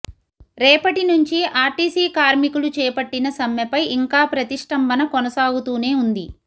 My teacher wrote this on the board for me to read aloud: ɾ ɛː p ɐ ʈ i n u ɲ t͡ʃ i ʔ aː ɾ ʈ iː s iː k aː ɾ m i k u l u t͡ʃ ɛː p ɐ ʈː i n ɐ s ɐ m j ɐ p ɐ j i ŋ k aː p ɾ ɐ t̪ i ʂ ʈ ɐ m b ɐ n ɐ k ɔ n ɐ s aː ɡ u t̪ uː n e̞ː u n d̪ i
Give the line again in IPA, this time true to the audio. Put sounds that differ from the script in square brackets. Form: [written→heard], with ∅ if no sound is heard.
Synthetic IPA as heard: ɾ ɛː p ɐ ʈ i n u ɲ t͡ʃ i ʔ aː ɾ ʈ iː s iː k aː ɾ m i k u l u t͡ʃ ɛː p ɐ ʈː i n ɐ s ɐ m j ɐ p ɐ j i ŋ k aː p ɾ ɐ t̪ i ʂ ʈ ɐ m b ɐ n ɐ k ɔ n ɐ s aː ɡ u t̪ uː n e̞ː u n d̪ i